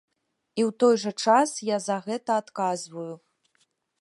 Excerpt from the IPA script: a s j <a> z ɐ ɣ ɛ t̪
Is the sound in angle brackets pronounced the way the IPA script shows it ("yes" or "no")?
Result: yes